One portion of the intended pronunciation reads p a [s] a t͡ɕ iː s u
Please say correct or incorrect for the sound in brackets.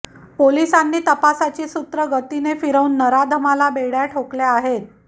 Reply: correct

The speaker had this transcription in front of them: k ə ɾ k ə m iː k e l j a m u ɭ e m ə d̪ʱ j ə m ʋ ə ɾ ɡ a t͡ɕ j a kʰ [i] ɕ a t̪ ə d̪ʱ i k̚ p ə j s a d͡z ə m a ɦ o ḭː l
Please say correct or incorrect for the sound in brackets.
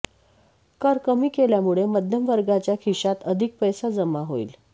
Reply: correct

